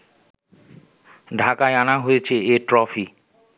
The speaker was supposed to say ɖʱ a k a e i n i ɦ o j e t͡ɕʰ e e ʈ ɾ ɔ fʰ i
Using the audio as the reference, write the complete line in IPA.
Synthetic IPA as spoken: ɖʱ a k a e a n a ɦ o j e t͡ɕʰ e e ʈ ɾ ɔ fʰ i